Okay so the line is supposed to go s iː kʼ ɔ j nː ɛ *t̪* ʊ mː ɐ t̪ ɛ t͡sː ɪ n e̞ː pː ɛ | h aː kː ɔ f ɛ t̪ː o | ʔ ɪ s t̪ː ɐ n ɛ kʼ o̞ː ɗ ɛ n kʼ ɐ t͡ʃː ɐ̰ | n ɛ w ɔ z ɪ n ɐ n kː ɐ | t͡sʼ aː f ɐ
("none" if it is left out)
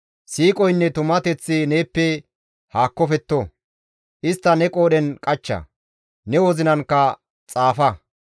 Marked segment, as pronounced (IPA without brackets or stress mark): t̪